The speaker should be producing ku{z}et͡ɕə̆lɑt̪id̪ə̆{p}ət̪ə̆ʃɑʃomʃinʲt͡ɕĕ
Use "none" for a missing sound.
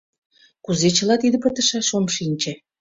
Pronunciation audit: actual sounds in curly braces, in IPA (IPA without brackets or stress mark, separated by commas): z, p